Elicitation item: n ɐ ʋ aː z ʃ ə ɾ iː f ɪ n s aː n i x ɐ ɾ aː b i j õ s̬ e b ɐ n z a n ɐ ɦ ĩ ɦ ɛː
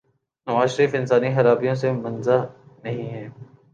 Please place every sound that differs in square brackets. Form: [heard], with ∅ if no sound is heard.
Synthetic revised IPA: n ɐ ʋ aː z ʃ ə ɾ iː f ɪ n s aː n i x ɐ ɾ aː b i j õ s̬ e [m] ɐ n z a n ɐ ɦ ĩ ɦ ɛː